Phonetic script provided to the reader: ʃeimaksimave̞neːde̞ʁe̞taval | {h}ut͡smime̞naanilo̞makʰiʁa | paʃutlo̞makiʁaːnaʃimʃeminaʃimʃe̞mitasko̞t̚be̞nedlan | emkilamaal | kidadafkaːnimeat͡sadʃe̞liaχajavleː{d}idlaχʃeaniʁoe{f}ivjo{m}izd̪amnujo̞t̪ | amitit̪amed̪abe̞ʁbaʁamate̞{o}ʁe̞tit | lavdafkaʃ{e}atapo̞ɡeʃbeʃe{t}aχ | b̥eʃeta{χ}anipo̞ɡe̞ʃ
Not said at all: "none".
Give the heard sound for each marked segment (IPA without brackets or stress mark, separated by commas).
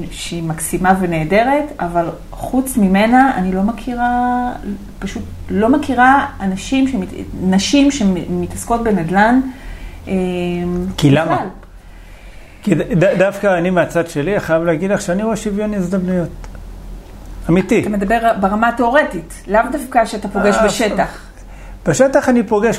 χ, ɡ, ʃ, n, o, e, t, χ